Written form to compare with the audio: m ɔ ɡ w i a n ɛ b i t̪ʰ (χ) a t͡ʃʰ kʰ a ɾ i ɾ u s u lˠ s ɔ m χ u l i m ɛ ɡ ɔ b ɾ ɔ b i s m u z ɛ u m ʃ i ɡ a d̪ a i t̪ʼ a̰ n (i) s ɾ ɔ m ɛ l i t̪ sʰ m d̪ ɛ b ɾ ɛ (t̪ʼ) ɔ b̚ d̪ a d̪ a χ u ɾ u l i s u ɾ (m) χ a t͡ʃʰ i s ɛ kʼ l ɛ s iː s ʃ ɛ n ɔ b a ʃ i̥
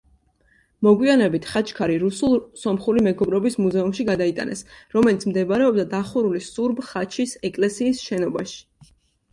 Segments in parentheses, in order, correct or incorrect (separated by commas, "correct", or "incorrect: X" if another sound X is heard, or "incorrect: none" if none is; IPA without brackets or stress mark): correct, incorrect: ɛ, incorrect: none, incorrect: b